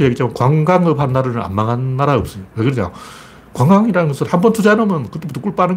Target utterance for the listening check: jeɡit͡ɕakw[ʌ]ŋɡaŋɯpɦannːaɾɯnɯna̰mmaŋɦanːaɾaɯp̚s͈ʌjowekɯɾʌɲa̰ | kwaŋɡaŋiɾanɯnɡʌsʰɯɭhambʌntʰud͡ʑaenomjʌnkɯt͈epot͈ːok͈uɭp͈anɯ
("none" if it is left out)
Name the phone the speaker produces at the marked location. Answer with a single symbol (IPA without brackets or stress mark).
a